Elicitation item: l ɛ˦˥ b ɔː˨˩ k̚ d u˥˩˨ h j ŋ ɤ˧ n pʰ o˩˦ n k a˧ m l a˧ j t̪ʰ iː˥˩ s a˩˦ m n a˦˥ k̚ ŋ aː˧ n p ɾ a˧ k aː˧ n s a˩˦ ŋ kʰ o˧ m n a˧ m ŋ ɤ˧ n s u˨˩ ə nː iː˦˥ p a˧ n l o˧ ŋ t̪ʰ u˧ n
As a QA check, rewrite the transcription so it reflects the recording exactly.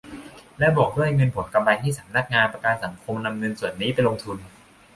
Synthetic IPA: l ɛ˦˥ b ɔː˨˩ k̚ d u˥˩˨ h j ŋ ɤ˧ n pʰ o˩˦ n k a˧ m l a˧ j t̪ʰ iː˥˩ s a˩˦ m n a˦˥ k̚ ŋ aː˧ n p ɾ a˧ k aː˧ n s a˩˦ ŋ kʰ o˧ m n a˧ m ŋ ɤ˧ n s u˨˩ ə nː iː˦˥ p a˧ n l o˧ ŋ t̪ʰ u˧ n